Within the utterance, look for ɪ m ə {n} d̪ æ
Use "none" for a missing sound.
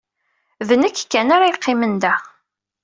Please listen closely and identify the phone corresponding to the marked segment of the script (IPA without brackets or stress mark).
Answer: n